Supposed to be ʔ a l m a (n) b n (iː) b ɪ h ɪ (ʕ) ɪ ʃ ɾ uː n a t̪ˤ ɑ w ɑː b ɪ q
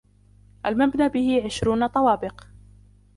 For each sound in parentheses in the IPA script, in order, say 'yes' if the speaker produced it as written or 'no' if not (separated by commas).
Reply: no, no, yes